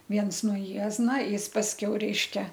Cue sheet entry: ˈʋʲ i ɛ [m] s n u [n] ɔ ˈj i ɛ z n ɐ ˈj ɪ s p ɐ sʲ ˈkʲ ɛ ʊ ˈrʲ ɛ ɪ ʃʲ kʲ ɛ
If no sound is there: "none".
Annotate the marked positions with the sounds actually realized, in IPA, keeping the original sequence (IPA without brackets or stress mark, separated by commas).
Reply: n, none